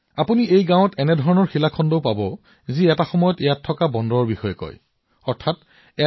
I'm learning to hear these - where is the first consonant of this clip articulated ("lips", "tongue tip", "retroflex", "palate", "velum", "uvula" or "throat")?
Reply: lips